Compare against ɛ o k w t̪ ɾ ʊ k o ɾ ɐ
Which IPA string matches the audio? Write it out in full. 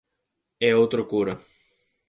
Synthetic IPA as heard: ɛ o w t̪ ɾ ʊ k u ɾ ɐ